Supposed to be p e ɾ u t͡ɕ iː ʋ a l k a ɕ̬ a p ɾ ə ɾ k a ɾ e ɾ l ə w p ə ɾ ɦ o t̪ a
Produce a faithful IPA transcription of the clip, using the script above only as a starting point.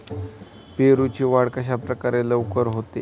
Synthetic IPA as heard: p e ɾ u t͡ɕ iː ʋ a ɽ k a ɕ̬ a p ɾ ə k a ɾ e l ə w k ə ɾ ɦ o t̪ e